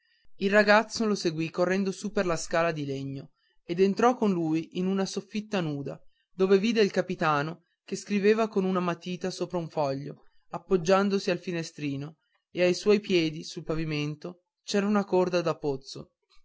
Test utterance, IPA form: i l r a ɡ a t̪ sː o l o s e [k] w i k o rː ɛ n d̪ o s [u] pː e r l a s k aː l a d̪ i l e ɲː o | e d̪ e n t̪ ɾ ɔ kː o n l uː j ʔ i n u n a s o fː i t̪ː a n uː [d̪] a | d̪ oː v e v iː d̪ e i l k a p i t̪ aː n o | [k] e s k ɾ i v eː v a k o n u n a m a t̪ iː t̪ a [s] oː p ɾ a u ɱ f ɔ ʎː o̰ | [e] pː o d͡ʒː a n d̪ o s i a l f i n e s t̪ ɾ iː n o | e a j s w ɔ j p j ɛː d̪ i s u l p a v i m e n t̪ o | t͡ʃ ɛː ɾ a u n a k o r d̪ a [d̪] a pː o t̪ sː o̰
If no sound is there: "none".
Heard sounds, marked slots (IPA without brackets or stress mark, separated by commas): ɡ, u, d̪, k, s, a, d̪